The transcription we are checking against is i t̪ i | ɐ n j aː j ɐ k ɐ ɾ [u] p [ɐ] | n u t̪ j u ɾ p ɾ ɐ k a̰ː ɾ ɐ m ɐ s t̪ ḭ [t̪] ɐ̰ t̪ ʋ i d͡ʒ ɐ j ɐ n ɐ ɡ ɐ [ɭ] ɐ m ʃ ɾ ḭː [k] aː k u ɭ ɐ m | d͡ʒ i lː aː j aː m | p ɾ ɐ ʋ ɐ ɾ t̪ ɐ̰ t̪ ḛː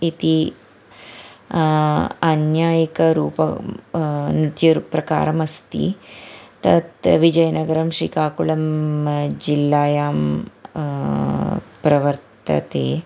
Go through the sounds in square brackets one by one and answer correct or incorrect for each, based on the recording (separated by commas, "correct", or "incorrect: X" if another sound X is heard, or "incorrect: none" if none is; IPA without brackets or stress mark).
incorrect: uː, correct, correct, incorrect: ɾ, correct